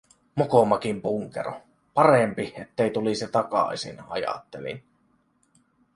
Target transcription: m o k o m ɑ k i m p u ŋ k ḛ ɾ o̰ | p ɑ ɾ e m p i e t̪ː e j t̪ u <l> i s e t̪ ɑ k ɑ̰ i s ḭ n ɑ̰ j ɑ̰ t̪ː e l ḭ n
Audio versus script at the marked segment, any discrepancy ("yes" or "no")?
no